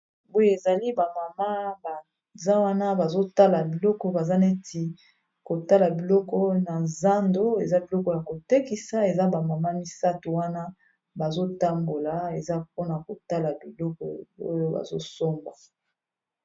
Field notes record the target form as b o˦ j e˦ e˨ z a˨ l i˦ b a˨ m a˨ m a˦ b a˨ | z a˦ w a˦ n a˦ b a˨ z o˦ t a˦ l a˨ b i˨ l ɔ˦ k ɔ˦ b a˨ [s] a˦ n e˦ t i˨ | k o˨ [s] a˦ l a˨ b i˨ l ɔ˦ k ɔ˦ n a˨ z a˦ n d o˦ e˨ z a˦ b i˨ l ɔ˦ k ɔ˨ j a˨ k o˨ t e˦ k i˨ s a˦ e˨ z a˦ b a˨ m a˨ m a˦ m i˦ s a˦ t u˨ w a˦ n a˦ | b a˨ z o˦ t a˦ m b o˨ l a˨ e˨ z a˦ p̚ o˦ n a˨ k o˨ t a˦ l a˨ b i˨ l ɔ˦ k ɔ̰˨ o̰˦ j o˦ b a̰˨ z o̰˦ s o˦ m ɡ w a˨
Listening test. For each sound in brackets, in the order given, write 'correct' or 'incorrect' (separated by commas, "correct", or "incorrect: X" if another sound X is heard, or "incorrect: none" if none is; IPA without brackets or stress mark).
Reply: incorrect: z, incorrect: t